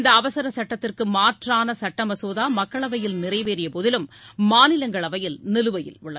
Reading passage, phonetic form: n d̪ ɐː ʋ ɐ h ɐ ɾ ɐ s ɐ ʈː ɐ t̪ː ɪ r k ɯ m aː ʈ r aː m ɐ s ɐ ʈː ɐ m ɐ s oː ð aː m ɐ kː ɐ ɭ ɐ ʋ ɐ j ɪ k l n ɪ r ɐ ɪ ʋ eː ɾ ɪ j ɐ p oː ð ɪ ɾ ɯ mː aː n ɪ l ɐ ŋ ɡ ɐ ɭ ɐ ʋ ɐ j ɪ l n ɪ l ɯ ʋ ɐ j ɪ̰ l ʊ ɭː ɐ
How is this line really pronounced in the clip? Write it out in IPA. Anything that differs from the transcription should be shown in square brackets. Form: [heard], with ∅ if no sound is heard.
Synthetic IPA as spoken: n d̪ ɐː ʋ ɐ [s] ɐ ɾ ɐ s ɐ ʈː ɐ t̪ː ɪ r k ɯ m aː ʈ r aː [n] ɐ s ɐ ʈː ɐ m ɐ s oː ð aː m ɐ kː ɐ ɭ ɐ ʋ ɐ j ɪ [∅] l n ɪ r ɐ ɪ ʋ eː ɾ ɪ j ɐ p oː ð ɪ [l] ɯ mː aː n ɪ l ɐ ŋ ɡ ɐ ɭ ɐ ʋ ɐ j ɪ l n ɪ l ɯ ʋ ɐ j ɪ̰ l ʊ ɭː ɐ